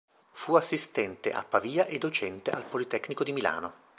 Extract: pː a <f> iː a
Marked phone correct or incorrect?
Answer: incorrect